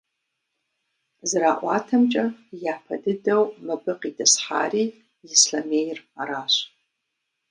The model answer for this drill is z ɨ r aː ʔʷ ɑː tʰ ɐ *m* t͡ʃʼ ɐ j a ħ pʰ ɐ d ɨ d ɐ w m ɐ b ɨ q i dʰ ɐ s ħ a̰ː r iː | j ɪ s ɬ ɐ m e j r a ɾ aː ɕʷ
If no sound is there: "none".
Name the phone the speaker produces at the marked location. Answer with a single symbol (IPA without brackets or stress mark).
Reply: m